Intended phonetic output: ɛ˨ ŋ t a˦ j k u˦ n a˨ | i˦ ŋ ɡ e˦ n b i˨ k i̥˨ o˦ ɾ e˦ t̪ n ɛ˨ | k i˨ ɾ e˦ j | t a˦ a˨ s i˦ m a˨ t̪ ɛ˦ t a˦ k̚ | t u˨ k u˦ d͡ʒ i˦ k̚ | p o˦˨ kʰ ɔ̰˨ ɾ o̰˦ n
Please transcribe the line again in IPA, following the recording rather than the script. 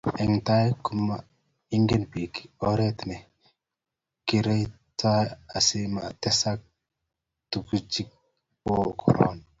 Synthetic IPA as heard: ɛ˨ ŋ t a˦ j k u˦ m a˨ | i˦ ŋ ɡ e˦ n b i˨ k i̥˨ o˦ ɾ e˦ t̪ n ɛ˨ | k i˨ ɾ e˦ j | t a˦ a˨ s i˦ m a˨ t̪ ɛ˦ s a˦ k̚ | t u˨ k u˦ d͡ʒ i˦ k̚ | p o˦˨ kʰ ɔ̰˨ ɾ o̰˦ n